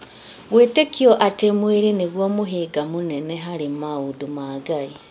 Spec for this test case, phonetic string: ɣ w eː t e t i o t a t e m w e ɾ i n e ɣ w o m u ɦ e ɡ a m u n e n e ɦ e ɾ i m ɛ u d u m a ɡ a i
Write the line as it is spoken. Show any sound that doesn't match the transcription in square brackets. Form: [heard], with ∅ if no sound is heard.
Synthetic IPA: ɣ w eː t e [k] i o [ʔ] a t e m w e ɾ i n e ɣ w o m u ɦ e ɡ a m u n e n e ɦ [a] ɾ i m [a] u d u m a ɡ a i